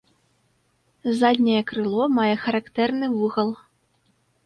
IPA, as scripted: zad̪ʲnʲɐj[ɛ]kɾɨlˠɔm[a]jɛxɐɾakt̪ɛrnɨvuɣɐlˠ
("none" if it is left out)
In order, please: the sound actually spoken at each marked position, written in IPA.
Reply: ɛ, a

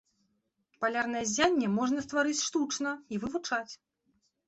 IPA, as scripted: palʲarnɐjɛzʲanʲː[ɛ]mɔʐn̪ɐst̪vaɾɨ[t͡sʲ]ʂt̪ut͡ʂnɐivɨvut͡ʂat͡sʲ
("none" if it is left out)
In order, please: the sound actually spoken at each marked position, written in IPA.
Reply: ɛ, t͡sʲ

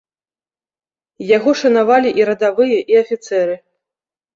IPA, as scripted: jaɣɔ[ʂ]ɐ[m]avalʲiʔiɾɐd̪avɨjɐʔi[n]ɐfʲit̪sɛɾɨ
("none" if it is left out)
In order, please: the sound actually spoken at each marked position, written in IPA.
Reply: ʂ, n, none

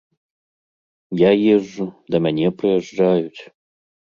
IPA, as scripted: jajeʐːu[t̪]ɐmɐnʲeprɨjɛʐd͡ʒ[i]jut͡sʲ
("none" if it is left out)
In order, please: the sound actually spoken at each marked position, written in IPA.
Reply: d̪, a

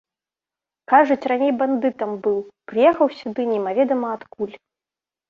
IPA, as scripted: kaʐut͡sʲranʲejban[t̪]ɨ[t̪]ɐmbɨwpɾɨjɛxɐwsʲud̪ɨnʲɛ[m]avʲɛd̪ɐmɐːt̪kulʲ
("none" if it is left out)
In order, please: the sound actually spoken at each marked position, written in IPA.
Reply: d̪, t̪, m

